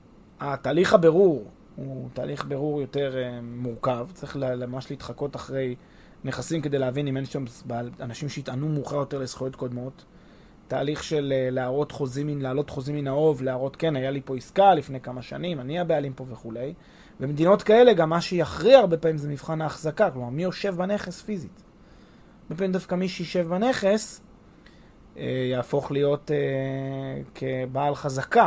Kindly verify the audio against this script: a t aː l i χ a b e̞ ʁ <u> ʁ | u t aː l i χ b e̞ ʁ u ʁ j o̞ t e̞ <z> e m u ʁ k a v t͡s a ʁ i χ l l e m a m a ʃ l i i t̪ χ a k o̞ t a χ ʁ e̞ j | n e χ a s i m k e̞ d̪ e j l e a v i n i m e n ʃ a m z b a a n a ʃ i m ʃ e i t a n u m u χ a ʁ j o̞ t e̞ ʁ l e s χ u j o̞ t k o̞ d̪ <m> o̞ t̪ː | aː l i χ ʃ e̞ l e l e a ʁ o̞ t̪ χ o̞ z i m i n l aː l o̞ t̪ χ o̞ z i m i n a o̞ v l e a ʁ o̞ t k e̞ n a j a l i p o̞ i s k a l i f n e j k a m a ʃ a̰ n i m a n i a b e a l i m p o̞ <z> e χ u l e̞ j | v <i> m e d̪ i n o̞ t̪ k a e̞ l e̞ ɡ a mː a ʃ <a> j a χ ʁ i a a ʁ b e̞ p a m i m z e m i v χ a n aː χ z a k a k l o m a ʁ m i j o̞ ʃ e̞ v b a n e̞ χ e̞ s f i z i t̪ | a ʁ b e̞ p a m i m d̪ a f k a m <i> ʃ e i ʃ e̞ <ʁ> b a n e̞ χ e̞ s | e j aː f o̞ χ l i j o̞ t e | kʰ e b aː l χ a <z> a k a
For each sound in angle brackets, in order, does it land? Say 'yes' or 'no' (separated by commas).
yes, no, yes, no, no, no, yes, no, yes